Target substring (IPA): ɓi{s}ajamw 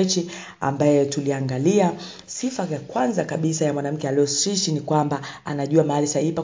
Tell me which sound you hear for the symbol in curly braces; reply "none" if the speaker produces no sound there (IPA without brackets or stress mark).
s